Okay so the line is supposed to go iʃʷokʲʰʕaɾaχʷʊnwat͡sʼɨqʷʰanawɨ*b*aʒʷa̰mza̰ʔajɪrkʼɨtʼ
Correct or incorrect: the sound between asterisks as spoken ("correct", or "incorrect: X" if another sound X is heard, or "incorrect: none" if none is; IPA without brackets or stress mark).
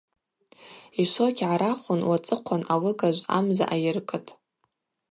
incorrect: ɡ